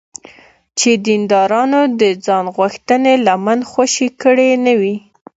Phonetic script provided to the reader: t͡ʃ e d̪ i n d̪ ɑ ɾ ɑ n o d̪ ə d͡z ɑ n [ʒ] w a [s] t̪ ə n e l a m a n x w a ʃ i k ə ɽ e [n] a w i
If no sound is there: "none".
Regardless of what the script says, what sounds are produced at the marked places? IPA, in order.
ɣ, x, n

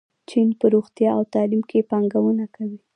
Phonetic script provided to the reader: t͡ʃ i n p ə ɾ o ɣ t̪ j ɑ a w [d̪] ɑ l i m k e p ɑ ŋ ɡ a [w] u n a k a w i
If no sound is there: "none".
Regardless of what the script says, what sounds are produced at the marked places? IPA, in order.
t̪, w

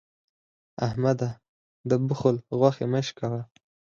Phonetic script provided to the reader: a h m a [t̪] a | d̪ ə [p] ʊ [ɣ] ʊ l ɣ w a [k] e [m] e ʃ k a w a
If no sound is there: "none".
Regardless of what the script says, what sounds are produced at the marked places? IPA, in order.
d̪, b, x, x, m

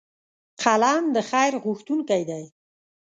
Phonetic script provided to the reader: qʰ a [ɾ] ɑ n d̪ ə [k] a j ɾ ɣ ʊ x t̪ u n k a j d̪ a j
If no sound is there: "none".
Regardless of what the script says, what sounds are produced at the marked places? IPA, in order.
l, x

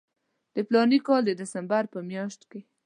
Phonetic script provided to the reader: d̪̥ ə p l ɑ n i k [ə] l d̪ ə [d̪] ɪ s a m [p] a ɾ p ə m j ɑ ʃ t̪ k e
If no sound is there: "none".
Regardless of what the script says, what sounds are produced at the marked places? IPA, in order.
ɑ, d̪, b

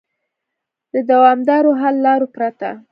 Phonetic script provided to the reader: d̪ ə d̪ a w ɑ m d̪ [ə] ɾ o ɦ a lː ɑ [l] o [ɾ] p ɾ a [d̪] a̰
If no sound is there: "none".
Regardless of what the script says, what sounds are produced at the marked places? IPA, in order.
ɑ, ɾ, none, t̪

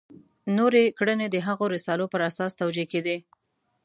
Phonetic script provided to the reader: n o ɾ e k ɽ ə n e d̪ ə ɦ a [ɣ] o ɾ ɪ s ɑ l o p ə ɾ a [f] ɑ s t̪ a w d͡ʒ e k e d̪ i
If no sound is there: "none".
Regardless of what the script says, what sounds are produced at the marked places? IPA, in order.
ɣ, s

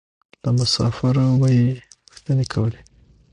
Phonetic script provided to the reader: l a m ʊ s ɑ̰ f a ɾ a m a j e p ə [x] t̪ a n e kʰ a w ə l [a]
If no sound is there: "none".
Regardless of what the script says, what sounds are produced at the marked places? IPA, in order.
x, e

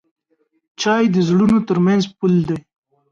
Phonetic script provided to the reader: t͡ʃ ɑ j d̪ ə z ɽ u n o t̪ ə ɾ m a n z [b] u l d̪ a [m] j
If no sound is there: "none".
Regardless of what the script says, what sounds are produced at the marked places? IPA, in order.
p, none

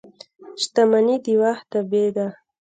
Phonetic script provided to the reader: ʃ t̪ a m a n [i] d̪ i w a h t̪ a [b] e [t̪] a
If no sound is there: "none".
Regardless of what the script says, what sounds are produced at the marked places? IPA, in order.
i, b, d̪

